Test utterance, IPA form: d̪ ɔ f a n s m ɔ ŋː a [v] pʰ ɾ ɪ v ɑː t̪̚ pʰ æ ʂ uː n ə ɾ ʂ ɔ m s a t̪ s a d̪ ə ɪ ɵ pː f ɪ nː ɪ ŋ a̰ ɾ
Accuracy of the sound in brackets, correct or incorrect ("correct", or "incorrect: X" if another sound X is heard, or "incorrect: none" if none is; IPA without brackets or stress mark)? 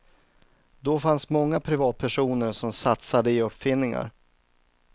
incorrect: none